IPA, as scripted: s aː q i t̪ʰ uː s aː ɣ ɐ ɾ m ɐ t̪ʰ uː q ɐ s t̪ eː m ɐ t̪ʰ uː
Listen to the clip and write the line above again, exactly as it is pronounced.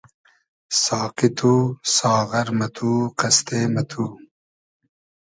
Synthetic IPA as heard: s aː q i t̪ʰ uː s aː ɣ ɐ ɾ m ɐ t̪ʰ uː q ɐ s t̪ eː m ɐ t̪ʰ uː